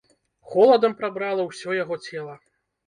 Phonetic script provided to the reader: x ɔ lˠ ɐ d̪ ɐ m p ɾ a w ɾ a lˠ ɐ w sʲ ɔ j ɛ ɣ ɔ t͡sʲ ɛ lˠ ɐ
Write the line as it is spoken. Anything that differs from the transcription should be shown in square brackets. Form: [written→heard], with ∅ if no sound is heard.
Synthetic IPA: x ɔ lˠ ɐ d̪ ɐ m p ɾ a [w→b] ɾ a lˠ ɐ w sʲ ɔ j [ɛ→a] ɣ ɔ t͡sʲ ɛ lˠ ɐ